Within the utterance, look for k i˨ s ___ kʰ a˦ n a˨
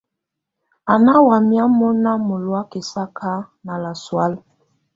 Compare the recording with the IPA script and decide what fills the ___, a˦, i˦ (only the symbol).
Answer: a˦